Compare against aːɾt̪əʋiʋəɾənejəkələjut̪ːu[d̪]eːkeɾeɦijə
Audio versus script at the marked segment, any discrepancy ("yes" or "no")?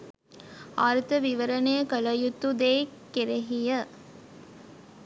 no